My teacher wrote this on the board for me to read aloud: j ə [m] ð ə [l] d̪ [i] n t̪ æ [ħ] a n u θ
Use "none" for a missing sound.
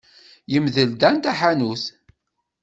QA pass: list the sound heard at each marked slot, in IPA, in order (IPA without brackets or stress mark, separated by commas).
m, l, æ, ħ